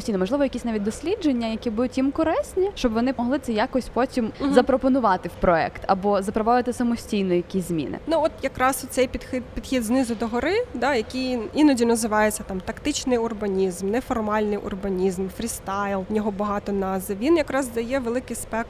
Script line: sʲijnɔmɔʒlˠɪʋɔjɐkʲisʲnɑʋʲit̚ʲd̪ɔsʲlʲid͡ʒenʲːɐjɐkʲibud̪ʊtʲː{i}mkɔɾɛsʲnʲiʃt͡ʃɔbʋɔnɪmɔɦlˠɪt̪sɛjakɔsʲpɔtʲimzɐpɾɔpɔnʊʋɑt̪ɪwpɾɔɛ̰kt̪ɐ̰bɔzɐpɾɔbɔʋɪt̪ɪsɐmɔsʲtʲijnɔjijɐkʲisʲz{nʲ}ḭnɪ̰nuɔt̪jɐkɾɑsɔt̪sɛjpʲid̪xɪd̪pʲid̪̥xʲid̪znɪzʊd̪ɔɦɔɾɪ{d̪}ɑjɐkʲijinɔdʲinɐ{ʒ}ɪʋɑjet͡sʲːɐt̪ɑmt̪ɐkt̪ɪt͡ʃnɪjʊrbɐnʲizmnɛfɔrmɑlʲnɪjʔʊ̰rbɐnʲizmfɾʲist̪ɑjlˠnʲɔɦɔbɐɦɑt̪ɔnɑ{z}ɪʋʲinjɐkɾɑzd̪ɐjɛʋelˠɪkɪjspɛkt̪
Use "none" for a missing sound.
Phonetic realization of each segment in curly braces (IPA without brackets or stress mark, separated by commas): i, mʲ, d̪, z, z